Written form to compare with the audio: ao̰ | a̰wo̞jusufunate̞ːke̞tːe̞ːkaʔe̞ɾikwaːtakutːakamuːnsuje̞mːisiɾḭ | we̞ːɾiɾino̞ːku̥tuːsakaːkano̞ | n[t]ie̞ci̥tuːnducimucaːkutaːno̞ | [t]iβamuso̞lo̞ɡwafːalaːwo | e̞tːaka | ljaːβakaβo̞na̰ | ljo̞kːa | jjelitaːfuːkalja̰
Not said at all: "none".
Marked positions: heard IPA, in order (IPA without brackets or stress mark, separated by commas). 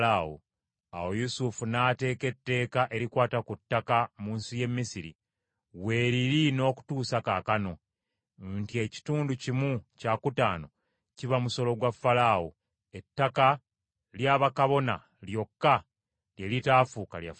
t, c